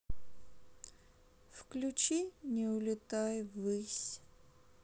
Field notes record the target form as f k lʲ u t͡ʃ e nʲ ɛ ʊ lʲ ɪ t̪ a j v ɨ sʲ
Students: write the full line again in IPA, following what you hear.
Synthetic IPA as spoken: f k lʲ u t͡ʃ i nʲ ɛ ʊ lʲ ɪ t̪ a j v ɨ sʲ